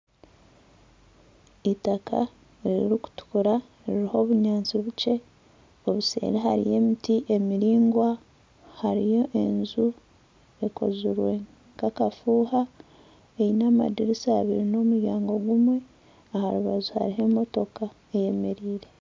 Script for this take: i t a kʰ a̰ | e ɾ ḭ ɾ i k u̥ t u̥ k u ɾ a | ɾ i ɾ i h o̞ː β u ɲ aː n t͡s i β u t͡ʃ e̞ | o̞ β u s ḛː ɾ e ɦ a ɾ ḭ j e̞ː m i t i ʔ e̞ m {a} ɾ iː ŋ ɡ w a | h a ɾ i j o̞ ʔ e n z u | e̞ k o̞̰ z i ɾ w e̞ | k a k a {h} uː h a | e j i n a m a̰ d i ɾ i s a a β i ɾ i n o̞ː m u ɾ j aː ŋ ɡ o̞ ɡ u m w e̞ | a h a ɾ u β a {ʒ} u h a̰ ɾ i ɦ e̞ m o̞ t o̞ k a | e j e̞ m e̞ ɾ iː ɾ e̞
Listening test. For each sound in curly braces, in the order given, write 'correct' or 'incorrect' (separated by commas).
incorrect, incorrect, incorrect